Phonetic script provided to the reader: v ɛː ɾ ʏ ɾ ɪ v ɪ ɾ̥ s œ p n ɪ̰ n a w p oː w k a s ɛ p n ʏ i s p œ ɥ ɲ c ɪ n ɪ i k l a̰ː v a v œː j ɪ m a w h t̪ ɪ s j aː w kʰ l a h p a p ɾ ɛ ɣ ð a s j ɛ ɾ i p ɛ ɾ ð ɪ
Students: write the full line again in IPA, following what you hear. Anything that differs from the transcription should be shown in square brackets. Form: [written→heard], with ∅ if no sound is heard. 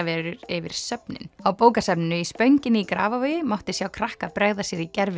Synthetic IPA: v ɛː ɾ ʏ ɾ ɪ v ɪ ɾ̥ s œ p n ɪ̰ n a w p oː w k a s ɛ p n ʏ i s p œ ɥ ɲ c ɪ n ɪ i k [l→ɾ] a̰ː v a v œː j ɪ m a w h t̪ ɪ s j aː w kʰ [l→ɾ] a h [p→k] a p ɾ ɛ ɣ ð a s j ɛ ɾ i [p→c] ɛ ɾ [ð→v] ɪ